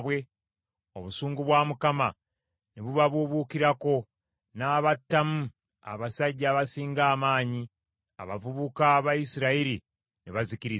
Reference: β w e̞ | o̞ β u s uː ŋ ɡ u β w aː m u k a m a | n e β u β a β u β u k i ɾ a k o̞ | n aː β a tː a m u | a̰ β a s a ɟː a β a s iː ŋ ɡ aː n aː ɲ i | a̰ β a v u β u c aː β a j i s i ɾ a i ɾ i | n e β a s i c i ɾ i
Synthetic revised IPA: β w e̞ | o̞ β u s uː ŋ ɡ u β w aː m u k a m a | n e β u β a β u β u k i ɾ a k o̞ | n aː β a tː a m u | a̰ β a s a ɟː a β a s iː ŋ ɡ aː m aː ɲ i | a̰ β a v u β u k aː β a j i s i ɾ a i ɾ i | n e β a z i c i ɾ i